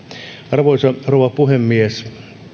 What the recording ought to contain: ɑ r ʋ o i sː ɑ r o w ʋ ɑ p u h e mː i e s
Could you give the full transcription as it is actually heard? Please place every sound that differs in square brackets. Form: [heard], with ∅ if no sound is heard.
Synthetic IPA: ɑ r ʋ o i [s] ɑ r o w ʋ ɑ p u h e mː i e s